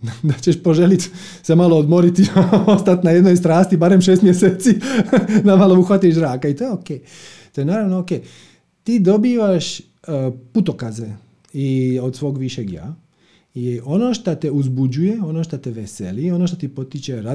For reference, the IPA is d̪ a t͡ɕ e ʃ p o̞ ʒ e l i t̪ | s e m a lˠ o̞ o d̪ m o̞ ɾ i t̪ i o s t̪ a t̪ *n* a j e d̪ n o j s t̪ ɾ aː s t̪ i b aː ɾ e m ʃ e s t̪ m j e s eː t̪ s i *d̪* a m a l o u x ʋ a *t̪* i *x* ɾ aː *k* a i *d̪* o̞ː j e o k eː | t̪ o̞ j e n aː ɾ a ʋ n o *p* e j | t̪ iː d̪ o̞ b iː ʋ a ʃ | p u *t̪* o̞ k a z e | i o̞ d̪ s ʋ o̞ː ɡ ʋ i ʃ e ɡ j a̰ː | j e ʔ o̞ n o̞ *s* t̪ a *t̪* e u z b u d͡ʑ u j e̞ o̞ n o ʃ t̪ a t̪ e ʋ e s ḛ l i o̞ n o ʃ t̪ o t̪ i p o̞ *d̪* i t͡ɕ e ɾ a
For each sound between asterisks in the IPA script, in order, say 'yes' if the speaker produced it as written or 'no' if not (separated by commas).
yes, yes, yes, no, yes, no, no, yes, no, yes, no